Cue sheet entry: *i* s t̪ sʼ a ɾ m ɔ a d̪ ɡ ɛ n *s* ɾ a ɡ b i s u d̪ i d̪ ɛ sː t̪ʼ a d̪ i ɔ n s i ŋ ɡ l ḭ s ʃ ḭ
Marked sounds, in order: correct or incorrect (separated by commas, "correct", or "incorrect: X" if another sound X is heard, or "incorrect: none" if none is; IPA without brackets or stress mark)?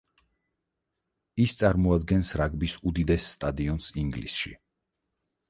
correct, correct